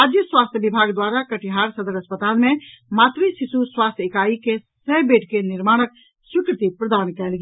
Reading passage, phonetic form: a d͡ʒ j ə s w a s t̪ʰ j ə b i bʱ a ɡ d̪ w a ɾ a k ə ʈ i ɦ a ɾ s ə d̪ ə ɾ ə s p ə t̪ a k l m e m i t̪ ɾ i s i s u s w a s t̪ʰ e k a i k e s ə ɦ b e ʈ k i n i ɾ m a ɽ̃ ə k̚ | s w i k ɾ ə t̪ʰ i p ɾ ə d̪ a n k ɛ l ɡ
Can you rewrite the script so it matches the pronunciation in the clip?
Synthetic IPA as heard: a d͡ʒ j ə s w a s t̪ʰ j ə b i bʱ a ɡ d̪ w a ɾ a k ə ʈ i ɦ a ɾ s ə d̪ ə ɾ ə s p ə t̪ a l m e m a t̪ ɾ i s i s u s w a s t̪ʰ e k a i k e s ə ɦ b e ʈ k e n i ɾ m a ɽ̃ ə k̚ | s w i k ɾ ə t̪ i p ɾ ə d̪ a n k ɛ l ɡ